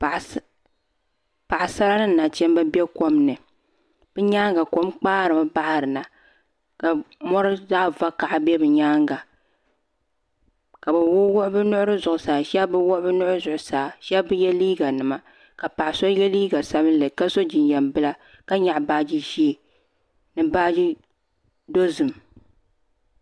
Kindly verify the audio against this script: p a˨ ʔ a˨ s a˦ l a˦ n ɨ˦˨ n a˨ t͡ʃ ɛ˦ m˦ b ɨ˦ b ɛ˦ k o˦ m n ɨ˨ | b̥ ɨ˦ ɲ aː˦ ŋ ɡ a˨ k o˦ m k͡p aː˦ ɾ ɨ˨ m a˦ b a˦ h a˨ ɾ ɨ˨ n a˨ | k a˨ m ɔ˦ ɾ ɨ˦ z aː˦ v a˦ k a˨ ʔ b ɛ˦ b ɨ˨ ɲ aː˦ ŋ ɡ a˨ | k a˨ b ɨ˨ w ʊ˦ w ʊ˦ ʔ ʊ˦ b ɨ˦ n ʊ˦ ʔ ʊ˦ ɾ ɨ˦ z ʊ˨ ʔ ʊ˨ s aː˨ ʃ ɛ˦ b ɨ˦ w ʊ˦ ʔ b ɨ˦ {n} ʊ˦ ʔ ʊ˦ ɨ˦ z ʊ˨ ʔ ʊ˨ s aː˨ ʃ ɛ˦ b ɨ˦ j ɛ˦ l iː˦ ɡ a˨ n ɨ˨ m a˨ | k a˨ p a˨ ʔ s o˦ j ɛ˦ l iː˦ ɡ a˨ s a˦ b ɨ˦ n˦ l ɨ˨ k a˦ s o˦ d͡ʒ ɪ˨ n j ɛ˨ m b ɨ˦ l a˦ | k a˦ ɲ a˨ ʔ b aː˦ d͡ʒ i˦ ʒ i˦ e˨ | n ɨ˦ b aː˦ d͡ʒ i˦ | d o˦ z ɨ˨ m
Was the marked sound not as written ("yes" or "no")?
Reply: no